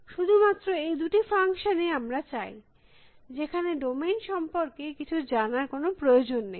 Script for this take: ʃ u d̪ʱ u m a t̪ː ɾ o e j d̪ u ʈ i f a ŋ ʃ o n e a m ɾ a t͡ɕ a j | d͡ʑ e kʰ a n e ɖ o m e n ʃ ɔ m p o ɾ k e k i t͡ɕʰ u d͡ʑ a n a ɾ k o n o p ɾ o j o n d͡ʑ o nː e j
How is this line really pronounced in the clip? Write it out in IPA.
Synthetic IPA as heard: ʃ u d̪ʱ u m a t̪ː ɾ o e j d̪ u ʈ i f a ŋ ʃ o n e a m ɾ a t͡ɕ a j | d͡ʑ e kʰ a n e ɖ o m e n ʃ ɔ m p o ɾ k e k i t͡ɕʰ u d͡ʑ a n a ɾ k o n o p ɾ o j o d͡ʑ o nː e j